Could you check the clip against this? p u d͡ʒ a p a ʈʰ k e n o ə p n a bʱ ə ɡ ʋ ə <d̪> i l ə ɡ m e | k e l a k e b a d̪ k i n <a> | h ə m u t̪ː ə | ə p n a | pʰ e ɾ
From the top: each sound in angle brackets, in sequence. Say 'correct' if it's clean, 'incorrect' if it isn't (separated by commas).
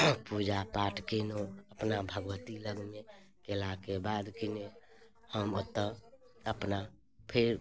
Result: incorrect, incorrect